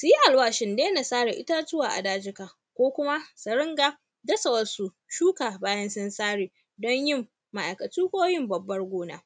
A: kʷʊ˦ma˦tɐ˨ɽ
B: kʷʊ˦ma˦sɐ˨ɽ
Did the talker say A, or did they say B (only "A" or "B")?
B